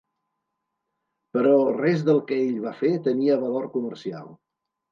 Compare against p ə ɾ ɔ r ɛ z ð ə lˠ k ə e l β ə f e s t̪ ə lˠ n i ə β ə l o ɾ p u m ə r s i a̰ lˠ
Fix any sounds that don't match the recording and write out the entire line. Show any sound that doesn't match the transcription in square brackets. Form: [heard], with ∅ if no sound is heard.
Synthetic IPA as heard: p ə ɾ ɔ r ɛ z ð ə lˠ k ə e [ʎ] β [a] f e [∅] t̪ ə [∅] n i ə β ə l o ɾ [k] u m ə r s i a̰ lˠ